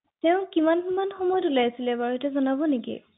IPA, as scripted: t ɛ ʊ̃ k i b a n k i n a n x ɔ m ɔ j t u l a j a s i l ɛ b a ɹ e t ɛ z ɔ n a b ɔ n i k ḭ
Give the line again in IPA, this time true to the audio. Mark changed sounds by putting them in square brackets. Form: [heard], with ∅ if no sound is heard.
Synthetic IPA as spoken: t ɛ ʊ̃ k i [m] a n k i [m] a n x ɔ m ɔ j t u l a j a s i l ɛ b a ɹ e t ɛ z ɔ n a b ɔ n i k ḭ